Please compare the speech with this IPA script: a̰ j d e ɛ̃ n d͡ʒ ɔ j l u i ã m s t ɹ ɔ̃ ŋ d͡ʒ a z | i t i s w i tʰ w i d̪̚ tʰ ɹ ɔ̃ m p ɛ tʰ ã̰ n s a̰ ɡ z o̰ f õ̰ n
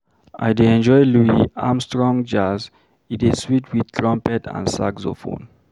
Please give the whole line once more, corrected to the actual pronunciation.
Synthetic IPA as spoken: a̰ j d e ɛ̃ n d͡ʒ ɔ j l u i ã m s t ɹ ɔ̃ ŋ d͡ʒ a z | i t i s w i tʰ w i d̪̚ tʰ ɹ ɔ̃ m p ɛ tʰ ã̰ n s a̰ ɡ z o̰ f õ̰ n